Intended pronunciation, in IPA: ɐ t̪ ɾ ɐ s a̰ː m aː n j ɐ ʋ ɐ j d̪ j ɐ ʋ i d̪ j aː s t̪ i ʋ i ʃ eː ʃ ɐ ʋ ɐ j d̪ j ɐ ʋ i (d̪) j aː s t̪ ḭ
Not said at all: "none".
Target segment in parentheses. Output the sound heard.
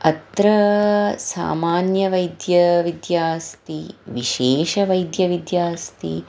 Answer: d̪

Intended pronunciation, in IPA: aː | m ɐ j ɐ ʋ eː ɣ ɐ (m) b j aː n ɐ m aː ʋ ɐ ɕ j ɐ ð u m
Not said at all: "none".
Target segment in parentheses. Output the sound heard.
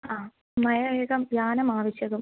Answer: m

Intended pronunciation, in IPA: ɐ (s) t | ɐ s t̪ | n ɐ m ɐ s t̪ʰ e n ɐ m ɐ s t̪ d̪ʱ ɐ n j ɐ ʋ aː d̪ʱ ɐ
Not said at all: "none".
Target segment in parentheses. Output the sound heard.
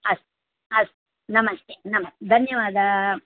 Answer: s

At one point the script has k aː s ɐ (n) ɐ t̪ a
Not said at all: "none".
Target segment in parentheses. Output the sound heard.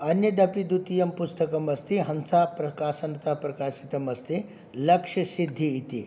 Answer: n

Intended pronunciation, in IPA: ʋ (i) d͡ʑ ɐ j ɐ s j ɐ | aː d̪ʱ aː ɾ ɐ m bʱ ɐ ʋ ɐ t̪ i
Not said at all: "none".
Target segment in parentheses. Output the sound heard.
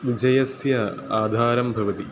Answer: i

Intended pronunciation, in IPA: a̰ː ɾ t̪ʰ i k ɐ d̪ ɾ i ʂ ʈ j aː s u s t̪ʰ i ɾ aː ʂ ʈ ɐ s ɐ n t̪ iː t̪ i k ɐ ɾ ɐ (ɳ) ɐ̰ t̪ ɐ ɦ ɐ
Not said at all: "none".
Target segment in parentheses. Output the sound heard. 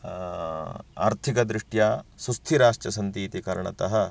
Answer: ɳ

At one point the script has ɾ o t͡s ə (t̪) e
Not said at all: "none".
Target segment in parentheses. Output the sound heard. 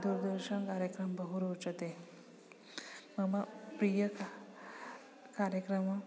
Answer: t̪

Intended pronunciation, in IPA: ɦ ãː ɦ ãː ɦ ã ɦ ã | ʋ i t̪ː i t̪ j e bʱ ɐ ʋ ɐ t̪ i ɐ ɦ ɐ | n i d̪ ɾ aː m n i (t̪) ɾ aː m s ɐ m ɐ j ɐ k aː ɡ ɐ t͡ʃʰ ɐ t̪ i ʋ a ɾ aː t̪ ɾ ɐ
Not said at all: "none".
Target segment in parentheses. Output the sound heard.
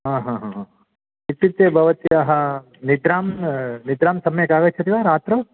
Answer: d̪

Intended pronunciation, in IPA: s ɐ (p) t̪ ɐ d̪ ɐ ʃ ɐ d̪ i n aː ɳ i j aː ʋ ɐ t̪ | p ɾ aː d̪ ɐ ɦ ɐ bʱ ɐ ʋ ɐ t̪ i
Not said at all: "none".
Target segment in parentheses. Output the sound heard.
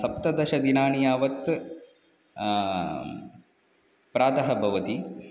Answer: p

